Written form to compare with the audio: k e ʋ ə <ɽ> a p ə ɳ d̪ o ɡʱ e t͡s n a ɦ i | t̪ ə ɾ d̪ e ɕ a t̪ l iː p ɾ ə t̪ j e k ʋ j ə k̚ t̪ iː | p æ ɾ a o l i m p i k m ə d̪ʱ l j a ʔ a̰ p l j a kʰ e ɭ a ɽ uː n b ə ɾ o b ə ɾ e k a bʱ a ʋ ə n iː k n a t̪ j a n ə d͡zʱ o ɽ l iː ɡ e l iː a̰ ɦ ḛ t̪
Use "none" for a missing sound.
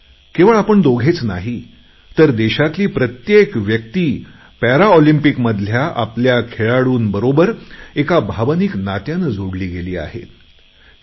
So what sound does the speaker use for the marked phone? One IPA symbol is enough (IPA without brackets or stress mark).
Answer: ɭ